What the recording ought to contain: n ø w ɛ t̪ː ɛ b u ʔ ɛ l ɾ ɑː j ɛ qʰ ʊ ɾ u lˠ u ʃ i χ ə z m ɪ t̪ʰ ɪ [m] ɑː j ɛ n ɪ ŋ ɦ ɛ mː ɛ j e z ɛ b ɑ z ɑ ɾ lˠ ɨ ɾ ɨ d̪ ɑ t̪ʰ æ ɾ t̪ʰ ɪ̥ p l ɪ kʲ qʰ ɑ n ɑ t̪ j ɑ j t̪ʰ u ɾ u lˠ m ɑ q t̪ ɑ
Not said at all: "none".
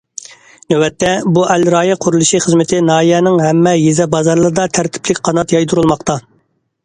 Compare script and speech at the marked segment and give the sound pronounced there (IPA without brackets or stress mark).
n